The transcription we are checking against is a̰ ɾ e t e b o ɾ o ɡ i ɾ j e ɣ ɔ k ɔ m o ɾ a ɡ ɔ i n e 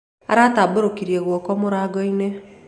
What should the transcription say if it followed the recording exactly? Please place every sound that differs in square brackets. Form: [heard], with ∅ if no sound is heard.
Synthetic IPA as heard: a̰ ɾ [a] t [a] b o ɾ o [k] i ɾ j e ɣ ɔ k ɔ m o ɾ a ɡ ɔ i n e